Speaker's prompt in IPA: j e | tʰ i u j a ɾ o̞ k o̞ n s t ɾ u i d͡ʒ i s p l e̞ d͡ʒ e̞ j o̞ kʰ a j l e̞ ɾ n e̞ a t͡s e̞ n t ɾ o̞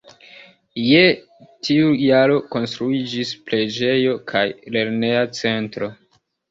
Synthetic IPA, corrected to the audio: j e | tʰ i u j a ɾ o̞ k o̞ n s t ɾ u i d͡ʒ i s p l e̞ d͡ʒ e̞ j o̞ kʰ a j l e̞ ɾ n e̞ a t͡s e̞ n t ɾ o̞